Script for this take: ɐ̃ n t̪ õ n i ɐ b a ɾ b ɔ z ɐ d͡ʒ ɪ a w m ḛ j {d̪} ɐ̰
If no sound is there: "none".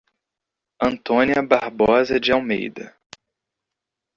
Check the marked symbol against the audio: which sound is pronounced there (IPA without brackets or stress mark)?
d̪